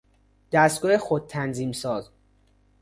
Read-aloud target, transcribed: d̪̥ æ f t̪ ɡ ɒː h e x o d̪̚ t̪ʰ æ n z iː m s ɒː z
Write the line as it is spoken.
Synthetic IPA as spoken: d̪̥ æ s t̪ ɡ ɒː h e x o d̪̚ t̪ʰ æ n z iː m s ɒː z